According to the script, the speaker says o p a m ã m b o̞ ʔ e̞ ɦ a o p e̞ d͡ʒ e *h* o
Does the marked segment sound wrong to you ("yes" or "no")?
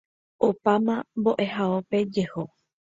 no